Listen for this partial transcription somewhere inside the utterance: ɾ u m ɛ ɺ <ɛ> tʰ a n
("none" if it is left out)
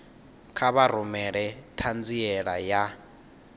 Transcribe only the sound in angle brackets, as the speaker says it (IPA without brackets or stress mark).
ɛ